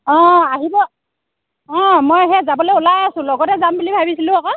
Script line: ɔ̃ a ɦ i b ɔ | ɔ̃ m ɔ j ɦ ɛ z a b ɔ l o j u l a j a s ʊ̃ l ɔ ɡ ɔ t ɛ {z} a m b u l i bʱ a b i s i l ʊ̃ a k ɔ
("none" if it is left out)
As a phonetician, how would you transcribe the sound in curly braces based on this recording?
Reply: z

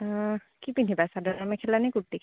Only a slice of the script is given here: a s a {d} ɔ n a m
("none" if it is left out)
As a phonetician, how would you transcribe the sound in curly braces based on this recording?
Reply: d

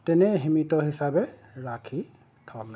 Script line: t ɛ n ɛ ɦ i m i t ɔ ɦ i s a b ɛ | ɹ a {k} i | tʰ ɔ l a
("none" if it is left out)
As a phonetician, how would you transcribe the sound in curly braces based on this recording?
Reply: kʰ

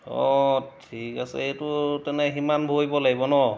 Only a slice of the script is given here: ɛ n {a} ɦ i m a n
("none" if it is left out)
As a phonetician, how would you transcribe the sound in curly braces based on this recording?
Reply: ɛ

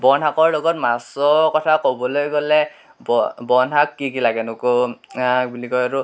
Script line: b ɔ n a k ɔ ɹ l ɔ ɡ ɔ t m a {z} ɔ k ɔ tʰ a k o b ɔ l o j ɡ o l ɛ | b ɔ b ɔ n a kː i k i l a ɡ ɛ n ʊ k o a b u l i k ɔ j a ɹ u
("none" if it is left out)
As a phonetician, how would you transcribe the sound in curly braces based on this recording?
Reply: s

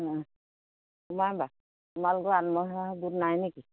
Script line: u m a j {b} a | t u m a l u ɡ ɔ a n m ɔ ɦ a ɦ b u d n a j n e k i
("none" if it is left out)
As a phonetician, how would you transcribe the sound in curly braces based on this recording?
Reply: b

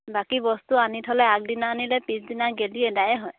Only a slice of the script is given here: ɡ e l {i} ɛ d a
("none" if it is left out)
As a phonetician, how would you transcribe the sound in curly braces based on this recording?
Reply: i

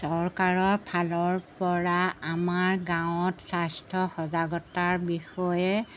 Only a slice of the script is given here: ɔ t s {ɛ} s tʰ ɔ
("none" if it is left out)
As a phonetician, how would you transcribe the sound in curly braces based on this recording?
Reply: a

